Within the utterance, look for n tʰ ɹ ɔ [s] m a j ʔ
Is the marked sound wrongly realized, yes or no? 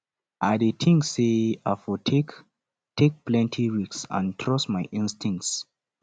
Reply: no